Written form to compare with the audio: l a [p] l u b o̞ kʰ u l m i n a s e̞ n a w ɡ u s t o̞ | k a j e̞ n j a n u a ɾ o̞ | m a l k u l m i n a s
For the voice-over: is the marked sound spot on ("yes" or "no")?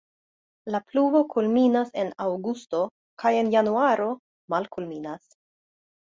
yes